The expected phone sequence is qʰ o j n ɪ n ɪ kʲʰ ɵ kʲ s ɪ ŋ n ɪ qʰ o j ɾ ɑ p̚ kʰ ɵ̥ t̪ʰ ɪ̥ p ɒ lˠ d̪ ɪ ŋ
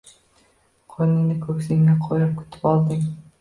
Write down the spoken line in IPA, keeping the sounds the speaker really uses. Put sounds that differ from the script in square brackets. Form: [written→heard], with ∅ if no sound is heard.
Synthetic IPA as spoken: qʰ o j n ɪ n ɪ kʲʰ ɵ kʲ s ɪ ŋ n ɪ qʰ o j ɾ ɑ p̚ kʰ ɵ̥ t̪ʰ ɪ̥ p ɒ lˠ d̪ ɪ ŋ

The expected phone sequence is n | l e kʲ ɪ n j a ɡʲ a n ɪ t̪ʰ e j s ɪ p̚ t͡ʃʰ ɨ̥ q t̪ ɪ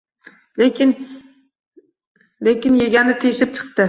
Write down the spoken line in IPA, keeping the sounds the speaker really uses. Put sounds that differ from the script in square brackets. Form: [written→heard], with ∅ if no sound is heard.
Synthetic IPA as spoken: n | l e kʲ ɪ n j [a→e] ɡʲ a n ɪ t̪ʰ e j [s→ʃ] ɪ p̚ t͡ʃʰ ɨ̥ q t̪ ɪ

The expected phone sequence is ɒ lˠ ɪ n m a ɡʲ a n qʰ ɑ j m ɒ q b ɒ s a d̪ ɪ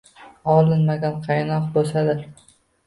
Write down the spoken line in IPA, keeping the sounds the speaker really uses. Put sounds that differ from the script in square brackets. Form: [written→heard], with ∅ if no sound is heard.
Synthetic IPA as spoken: ɒ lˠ ɪ n m a ɡʲ a n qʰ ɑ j [m→n] ɒ q b [ɒ→o] s a d̪ ɪ

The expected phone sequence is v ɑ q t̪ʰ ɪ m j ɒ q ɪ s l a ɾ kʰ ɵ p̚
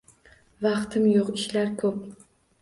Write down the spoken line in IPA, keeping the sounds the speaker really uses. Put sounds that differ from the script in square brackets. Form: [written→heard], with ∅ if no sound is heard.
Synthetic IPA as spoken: v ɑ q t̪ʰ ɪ m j [ɒ→o] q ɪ [s→ʃ] l a ɾ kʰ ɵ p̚

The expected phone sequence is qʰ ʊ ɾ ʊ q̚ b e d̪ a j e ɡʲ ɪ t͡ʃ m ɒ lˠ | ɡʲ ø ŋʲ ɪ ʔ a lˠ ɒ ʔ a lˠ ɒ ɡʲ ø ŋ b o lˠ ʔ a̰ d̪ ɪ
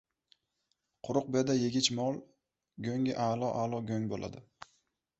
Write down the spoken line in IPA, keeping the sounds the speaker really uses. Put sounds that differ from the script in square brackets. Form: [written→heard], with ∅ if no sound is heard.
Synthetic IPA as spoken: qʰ ʊ ɾ ʊ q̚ b e d̪ a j e ɡʲ ɪ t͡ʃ m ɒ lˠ | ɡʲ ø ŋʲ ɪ ʔ a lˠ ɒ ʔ a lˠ ɒ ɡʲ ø ŋ b o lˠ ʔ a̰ d̪ ɪ

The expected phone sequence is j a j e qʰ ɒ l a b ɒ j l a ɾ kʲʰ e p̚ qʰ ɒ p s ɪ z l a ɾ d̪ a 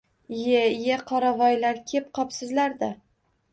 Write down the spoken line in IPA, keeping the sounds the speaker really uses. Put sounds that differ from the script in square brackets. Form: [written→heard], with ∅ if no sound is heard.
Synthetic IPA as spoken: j [a→e] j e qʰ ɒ [l→ɾ] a [b→v] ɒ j l a ɾ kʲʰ e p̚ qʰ ɒ p s ɪ z l a ɾ d̪ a

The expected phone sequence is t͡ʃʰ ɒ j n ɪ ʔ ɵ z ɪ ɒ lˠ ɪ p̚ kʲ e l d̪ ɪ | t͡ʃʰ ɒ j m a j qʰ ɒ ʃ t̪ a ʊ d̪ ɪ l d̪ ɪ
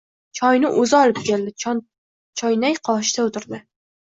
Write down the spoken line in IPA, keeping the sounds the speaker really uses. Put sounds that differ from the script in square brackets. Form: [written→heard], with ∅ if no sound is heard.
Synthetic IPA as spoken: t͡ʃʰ ɒ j n ɪ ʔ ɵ z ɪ ɒ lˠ ɪ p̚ kʲ e l d̪ ɪ | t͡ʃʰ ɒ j [m→n] a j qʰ ɒ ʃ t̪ a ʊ [d̪→t̪] ɪ [l→ɾ] d̪ ɪ

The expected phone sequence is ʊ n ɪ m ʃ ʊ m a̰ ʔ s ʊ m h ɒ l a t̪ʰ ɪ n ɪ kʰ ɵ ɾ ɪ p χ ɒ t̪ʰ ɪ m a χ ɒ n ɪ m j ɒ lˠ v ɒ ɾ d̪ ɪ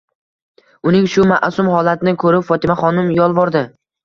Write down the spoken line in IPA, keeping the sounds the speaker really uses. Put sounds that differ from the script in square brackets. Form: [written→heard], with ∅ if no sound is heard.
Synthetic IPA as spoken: ʊ n ɪ [m→ŋ] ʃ ʊ m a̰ ʔ s ʊ m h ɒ l a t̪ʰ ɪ n ɪ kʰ ɵ ɾ ɪ p [χ→f] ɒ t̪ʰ ɪ m a χ ɒ n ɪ m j ɒ lˠ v ɒ ɾ d̪ ɪ

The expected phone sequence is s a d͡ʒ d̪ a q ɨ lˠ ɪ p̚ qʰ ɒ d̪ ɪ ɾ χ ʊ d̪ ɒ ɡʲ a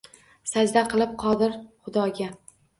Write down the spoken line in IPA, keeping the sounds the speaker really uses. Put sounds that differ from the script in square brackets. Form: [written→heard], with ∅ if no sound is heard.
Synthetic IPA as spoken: s a d͡ʒ d̪ a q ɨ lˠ ɪ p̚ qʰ ɒ d̪ ɪ ɾ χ ʊ d̪ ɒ ɡʲ a

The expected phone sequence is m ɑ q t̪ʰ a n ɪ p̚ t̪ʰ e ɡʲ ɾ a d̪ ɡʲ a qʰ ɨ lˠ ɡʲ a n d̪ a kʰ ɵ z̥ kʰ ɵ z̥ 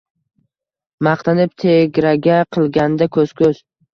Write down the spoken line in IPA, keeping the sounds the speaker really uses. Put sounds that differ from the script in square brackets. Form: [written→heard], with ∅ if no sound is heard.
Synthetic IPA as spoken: m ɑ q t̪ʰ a n ɪ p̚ t̪ʰ e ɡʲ ɾ a [d̪→∅] ɡʲ a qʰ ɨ lˠ ɡʲ a n d̪ a kʰ ɵ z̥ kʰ ɵ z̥

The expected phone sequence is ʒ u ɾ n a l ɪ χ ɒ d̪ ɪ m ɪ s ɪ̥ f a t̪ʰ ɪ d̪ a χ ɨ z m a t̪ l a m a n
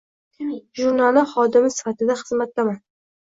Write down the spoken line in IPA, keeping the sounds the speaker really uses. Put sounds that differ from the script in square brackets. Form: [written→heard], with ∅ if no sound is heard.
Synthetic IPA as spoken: ʒ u ɾ n a l ɪ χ ɒ d̪ ɪ m ɪ s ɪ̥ f a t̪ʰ ɪ d̪ a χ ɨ z m a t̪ l a m a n

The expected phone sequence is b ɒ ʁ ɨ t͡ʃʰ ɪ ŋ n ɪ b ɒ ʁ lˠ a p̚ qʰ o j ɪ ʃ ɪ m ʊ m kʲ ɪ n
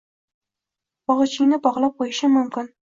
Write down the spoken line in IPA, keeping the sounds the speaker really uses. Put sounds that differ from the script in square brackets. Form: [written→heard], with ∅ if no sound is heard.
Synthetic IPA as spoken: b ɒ ʁ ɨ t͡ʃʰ ɪ ŋ n ɪ b ɒ ʁ lˠ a p̚ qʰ o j ɪ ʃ ɪ m ʊ m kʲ ɪ n

